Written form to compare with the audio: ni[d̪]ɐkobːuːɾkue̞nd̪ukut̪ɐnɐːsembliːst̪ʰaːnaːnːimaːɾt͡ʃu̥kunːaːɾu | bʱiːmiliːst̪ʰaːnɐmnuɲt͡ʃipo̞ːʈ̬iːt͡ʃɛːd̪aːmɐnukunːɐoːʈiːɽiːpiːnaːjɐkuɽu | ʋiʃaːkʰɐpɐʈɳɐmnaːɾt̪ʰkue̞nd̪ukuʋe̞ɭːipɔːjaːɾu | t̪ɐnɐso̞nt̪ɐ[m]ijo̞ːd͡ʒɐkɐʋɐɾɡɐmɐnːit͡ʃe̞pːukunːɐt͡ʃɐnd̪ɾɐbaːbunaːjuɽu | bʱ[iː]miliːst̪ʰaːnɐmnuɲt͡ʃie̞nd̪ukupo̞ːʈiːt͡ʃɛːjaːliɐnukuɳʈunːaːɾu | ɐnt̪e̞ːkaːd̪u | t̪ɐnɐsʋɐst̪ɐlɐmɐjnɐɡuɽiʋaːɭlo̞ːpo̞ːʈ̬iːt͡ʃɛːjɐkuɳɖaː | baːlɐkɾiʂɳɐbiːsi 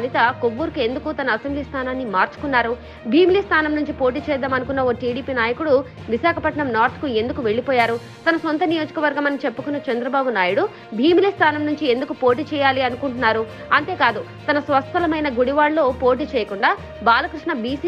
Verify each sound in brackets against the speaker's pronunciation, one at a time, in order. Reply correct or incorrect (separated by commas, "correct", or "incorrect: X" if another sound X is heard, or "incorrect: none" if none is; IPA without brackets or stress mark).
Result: incorrect: t̪, incorrect: n, correct